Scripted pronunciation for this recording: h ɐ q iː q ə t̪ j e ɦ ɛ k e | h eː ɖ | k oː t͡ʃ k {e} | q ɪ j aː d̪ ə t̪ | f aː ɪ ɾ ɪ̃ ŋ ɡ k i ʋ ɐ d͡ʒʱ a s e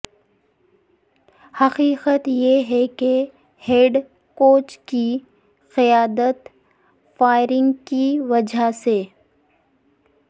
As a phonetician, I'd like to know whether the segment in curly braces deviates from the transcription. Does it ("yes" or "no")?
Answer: yes